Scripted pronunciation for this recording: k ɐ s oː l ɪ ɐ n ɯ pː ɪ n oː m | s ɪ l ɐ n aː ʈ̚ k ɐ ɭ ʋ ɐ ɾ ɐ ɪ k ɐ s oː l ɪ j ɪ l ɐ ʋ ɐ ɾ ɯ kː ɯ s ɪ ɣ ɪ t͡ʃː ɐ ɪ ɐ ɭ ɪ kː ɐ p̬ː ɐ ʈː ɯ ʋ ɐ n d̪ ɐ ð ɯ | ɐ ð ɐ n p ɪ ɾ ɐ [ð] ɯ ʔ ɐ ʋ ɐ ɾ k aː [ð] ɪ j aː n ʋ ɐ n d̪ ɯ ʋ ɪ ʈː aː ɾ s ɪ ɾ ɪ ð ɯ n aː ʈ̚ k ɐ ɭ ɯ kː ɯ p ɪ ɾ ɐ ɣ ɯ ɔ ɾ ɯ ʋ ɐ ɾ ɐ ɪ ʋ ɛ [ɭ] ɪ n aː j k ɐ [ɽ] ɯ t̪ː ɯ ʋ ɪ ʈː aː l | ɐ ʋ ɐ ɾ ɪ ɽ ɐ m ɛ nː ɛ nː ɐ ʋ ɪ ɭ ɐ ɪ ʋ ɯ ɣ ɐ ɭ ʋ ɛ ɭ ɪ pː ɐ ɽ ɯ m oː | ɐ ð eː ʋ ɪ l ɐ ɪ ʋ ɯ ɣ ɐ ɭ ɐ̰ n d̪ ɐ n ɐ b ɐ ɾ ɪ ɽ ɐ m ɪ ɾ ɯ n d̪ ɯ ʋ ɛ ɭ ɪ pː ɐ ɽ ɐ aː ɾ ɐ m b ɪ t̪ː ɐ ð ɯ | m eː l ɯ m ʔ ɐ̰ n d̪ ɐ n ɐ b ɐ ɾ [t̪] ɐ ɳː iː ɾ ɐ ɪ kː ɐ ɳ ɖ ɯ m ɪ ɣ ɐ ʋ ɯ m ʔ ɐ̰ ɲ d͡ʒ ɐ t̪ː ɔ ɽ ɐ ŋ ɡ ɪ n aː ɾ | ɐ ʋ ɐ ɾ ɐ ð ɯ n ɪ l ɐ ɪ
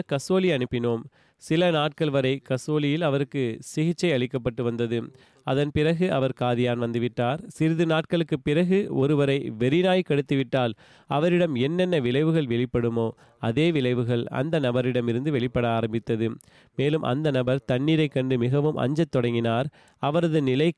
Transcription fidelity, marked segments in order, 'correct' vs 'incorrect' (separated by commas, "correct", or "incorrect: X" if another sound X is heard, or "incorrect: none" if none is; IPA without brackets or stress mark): incorrect: ɣ, correct, incorrect: ɾ, correct, correct